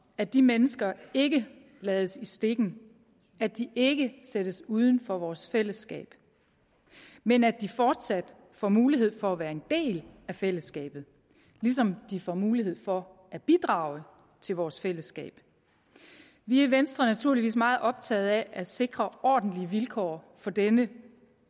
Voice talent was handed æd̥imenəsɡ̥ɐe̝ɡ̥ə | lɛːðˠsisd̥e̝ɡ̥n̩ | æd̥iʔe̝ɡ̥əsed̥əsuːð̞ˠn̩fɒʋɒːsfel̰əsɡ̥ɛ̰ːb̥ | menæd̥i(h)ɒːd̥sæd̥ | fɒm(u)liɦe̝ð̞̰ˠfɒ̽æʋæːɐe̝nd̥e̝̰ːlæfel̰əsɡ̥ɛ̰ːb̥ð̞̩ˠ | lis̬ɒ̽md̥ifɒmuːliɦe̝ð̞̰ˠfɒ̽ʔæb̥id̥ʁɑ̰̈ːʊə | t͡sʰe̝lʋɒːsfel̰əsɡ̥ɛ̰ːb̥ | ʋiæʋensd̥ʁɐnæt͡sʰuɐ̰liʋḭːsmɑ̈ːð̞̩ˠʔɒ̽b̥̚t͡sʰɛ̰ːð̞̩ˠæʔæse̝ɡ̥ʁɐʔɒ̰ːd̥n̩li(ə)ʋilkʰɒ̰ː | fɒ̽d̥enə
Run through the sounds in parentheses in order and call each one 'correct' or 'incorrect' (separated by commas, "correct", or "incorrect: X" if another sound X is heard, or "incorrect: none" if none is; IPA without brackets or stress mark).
incorrect: f, incorrect: uː, correct